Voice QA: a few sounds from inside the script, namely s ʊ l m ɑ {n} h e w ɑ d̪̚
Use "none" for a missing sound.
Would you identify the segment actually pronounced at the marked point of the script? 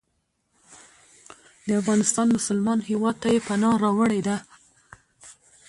n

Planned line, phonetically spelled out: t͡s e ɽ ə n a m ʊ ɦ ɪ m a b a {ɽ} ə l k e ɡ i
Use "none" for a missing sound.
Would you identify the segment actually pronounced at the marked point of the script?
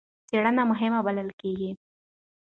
l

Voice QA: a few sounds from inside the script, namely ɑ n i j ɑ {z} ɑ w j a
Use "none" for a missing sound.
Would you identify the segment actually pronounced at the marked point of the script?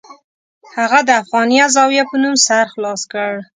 z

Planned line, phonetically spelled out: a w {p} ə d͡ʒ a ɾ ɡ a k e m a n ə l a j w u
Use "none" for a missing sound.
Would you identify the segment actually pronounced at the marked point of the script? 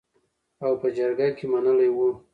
p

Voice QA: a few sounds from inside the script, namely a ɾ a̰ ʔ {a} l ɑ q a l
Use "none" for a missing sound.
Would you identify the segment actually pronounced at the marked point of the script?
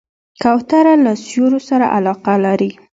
a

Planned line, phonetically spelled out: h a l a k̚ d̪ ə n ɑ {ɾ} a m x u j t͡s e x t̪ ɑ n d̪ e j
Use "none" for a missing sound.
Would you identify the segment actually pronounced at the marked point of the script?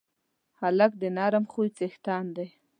ɾ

